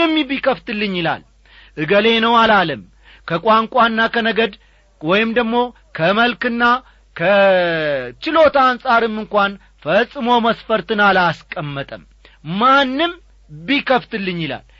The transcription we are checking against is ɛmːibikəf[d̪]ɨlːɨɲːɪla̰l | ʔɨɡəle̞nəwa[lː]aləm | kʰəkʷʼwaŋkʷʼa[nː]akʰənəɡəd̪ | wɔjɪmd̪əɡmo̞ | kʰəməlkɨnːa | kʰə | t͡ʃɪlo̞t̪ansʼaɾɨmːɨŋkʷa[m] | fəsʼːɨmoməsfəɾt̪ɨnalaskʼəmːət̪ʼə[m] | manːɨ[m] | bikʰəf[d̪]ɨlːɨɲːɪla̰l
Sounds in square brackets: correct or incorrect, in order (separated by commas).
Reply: incorrect, incorrect, correct, incorrect, correct, correct, incorrect